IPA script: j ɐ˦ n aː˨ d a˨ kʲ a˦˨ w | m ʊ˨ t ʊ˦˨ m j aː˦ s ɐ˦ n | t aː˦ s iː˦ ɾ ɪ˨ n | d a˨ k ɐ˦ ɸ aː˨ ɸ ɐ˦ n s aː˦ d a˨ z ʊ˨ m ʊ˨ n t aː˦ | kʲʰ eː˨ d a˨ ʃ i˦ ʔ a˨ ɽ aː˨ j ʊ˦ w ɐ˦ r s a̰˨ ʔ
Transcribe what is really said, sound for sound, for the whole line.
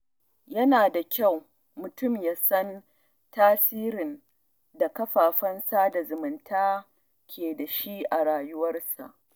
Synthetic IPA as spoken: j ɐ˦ n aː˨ d a˨ kʲ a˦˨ w | m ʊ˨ t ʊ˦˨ m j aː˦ s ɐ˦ n | t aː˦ s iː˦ ɾ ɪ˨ n | d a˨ k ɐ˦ ɸ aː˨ ɸ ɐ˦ n s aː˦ d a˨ z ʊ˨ m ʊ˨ n t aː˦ | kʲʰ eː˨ d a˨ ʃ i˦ ʔ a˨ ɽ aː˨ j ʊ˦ w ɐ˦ r s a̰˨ ʔ